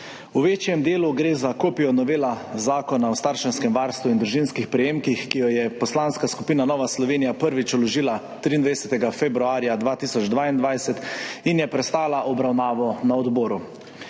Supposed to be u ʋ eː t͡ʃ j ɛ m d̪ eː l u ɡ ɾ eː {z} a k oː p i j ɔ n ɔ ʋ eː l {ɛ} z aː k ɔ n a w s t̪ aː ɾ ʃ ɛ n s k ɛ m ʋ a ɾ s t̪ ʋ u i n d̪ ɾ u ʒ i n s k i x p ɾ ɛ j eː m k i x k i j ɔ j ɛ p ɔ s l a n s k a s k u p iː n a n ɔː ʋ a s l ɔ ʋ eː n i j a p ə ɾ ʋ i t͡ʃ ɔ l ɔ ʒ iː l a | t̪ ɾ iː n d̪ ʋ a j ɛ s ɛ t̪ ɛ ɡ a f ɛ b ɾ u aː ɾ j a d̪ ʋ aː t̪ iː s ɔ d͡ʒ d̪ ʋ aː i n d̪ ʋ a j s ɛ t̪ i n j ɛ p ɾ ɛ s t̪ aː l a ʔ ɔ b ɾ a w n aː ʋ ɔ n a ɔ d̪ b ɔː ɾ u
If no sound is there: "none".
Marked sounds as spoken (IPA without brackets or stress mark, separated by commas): z, a